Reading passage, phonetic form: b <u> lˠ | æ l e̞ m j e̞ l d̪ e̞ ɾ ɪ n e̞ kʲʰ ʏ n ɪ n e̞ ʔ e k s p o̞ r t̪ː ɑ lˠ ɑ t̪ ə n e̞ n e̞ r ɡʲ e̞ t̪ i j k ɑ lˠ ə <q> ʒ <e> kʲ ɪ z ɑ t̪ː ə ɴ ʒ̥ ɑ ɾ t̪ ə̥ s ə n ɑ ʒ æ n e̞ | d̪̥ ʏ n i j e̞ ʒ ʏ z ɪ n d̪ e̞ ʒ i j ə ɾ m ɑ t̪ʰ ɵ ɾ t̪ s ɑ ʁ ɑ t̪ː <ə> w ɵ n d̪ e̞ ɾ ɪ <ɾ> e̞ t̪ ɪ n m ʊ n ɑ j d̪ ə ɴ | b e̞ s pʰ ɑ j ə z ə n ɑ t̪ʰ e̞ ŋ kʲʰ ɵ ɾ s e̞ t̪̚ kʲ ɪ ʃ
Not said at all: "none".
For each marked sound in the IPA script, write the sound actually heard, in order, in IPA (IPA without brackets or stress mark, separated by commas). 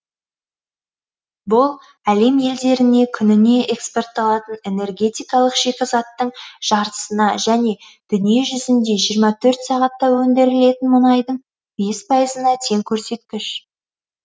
ʊ, q, e, ɑ, l